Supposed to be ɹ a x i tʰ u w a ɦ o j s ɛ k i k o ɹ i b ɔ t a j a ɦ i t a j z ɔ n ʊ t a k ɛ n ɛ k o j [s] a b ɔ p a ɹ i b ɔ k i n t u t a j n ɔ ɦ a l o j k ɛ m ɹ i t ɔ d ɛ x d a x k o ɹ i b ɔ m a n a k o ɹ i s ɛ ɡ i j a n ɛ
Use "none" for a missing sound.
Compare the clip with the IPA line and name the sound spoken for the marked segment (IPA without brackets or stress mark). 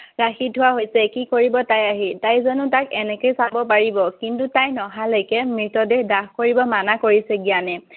s